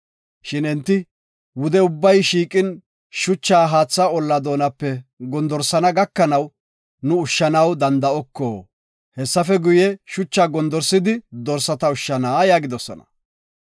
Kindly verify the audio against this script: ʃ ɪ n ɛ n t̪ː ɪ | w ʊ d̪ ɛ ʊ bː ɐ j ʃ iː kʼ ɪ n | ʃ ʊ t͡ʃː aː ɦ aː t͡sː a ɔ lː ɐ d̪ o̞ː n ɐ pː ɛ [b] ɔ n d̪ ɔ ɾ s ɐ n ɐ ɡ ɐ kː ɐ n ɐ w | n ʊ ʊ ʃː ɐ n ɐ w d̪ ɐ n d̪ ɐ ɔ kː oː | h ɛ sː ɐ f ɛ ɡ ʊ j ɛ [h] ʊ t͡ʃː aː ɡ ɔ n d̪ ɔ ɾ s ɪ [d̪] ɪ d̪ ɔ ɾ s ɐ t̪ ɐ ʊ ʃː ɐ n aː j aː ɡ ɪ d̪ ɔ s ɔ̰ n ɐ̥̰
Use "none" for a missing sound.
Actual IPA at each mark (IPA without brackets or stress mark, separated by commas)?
ɡ, ʃ, d̪